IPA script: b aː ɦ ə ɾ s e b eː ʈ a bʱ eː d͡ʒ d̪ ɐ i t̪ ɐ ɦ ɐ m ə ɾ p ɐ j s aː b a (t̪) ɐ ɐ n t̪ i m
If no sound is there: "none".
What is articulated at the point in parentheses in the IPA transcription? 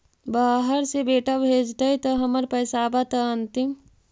t̪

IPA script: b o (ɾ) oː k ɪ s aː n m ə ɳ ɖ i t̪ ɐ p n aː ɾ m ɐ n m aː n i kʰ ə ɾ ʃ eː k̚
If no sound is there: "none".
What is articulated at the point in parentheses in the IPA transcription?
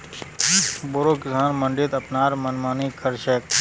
ɾ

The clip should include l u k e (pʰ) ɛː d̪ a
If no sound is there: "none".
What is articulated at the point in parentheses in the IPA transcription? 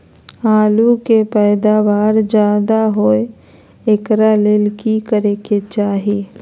p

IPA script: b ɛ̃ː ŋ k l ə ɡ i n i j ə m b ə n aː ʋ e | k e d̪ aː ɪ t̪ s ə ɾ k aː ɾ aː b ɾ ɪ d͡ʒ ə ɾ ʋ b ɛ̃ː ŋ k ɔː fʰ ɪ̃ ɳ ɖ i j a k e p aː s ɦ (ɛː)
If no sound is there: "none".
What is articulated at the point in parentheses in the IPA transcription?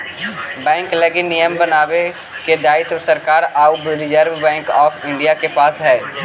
ɛː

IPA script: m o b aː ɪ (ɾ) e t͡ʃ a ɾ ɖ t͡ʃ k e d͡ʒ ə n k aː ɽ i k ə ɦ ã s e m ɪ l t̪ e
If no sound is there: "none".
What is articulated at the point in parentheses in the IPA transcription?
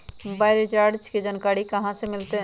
l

